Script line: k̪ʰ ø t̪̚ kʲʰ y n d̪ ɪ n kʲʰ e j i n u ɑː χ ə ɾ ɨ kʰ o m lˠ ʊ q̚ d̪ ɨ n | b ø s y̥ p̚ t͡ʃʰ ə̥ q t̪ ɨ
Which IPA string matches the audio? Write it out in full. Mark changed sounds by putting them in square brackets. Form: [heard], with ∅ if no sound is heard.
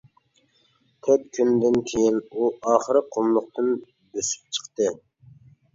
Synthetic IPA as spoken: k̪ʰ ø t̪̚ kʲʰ y n d̪ ɪ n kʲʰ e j i n u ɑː χ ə ɾ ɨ [qʰ] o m lˠ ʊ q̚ [t̪] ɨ n | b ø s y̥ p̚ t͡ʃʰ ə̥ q t̪ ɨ